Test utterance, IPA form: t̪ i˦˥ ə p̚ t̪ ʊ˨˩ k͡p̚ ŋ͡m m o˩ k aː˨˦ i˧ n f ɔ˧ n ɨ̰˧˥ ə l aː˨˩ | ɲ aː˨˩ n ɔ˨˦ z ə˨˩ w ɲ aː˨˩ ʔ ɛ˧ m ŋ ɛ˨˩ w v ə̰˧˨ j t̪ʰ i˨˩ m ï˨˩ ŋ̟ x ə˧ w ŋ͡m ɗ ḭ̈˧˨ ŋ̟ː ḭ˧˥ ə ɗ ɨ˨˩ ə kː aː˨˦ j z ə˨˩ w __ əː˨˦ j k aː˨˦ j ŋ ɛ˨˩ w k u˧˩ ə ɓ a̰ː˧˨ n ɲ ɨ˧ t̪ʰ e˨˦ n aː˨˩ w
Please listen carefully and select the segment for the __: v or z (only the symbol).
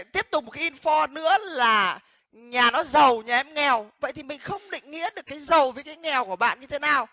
v